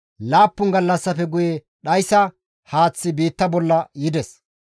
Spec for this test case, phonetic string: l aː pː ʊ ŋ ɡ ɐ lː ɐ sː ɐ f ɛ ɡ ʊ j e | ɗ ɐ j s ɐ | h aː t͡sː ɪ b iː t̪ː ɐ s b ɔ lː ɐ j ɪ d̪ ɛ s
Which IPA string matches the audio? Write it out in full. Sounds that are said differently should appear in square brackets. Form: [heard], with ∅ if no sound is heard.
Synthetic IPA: l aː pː ʊ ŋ ɡ ɐ lː ɐ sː ɐ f ɛ ɡ ʊ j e | ɗ ɐ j s ɐ | h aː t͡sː ɪ b iː t̪ː ɐ [∅] b ɔ lː ɐ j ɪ d̪ ɛ s

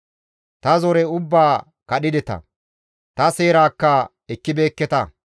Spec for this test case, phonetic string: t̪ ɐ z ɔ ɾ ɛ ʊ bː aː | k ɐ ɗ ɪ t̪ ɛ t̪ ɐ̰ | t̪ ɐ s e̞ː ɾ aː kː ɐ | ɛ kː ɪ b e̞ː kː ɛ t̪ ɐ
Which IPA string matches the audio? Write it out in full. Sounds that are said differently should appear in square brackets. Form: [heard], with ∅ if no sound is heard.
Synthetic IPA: t̪ ɐ z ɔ ɾ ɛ ʊ bː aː | k ɐ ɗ ɪ [d̪] ɛ t̪ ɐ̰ | t̪ ɐ s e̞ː ɾ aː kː ɐ | ɛ kː ɪ b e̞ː kː ɛ t̪ ɐ

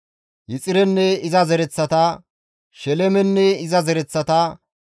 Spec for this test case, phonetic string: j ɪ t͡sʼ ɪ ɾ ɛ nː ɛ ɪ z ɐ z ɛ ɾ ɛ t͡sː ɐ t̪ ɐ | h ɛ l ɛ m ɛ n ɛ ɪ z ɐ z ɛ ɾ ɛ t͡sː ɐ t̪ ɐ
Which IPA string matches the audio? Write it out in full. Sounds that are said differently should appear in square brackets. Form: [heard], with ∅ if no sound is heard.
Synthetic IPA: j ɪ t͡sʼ ɪ ɾ ɛ nː ɛ ɪ z ɐ z ɛ ɾ ɛ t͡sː ɐ t̪ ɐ | [ʃ] ɛ l ɛ m ɛ [nː] ɛ ɪ z ɐ z ɛ ɾ ɛ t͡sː ɐ t̪ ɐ

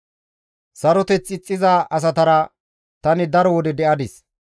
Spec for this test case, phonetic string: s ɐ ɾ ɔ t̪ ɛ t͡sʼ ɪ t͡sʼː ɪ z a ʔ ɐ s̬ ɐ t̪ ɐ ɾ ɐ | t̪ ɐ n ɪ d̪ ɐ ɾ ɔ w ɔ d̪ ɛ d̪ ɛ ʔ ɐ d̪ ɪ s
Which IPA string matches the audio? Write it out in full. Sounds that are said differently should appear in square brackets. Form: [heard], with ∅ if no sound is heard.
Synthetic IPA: s ɐ ɾ ɔ t̪ ɛ [t͡s] ɪ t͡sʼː ɪ z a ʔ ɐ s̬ ɐ t̪ ɐ ɾ ɐ | t̪ ɐ n ɪ d̪ ɐ ɾ ɔ w ɔ d̪ ɛ d̪ ɛ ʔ ɐ d̪ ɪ s

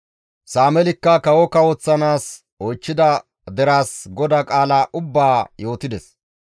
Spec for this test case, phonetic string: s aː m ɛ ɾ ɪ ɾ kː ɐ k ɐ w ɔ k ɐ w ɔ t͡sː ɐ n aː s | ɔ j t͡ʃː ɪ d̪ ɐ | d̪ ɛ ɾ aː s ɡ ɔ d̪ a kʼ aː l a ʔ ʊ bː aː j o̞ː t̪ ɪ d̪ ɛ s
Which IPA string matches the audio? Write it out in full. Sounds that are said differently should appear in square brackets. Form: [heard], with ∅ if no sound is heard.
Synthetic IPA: s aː m ɛ [l] ɪ [∅] kː ɐ k ɐ w ɔ k ɐ w ɔ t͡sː ɐ n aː s | ɔ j t͡ʃː ɪ d̪ ɐ | d̪ ɛ ɾ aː s ɡ ɔ d̪ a kʼ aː l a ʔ ʊ bː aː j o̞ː t̪ ɪ d̪ ɛ s

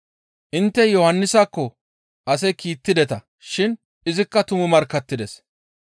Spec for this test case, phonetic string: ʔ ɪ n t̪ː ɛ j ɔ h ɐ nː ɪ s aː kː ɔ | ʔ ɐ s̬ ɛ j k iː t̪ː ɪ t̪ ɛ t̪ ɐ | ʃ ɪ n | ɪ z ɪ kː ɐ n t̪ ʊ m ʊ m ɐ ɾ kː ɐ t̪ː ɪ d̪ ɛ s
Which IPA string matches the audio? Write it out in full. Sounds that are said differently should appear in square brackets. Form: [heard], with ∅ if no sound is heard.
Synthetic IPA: ʔ ɪ n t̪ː ɛ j ɔ h ɐ nː ɪ s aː kː ɔ | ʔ ɐ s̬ ɛ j k iː t̪ː ɪ [d̪] ɛ t̪ ɐ | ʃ ɪ n | ɪ z ɪ kː ɐ [∅] t̪ ʊ m ʊ m ɐ ɾ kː ɐ t̪ː ɪ d̪ ɛ s

